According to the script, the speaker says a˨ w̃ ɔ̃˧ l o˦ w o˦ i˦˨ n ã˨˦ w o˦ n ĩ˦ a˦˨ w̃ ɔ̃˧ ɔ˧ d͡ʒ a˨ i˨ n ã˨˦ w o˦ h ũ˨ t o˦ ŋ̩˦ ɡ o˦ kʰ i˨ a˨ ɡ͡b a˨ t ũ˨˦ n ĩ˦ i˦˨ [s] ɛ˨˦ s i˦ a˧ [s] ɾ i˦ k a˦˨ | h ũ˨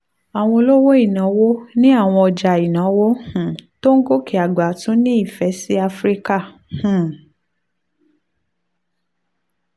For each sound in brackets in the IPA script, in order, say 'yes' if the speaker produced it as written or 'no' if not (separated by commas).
no, no